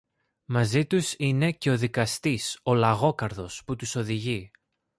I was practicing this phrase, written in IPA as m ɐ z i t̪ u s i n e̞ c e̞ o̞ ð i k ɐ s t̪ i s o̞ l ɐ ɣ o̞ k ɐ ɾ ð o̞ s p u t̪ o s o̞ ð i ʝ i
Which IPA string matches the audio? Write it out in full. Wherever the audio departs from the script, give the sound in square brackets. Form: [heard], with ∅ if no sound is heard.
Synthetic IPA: m ɐ z i t̪ u s i n e̞ c e̞ o̞ ð i k ɐ s t̪ i s o̞ l ɐ ɣ o̞ k ɐ ɾ ð o̞ s p u t̪ [u] s o̞ ð i ʝ i